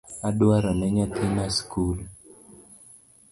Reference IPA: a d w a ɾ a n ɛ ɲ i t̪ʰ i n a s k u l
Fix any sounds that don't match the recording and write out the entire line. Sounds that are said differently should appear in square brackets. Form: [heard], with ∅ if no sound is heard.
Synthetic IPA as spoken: a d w a ɾ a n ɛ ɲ [a] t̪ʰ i n a s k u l